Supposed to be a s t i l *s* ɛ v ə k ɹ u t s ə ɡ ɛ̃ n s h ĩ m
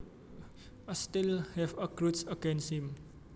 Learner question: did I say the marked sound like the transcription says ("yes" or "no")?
no